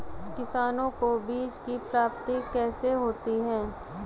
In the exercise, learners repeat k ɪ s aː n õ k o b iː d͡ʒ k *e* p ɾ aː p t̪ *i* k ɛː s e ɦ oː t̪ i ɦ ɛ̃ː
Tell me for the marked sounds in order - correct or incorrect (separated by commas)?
incorrect, correct